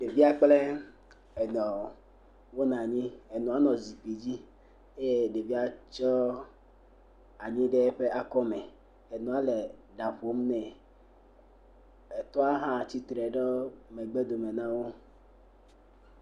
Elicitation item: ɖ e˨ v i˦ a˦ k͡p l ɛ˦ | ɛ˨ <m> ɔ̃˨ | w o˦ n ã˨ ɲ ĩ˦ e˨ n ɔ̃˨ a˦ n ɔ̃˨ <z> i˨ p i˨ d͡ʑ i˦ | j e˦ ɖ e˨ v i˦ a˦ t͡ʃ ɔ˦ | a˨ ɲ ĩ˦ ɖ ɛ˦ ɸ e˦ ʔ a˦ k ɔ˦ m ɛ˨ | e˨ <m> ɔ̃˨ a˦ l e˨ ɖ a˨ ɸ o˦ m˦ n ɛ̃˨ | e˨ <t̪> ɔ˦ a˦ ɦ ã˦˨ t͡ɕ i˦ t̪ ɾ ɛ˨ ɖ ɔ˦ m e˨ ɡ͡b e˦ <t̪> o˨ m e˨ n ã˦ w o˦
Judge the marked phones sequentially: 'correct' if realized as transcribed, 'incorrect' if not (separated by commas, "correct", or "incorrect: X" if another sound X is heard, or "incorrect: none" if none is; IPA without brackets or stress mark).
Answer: incorrect: n, correct, incorrect: n, correct, incorrect: d̪